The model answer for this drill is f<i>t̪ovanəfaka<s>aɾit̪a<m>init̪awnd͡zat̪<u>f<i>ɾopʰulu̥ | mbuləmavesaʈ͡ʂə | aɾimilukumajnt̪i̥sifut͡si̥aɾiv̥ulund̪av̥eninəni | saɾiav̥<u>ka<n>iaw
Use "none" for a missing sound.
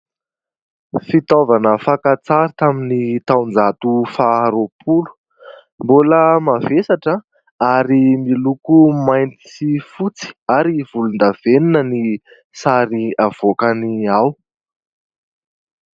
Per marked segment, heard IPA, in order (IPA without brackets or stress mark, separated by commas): i, t͡s, m, u, a, o, n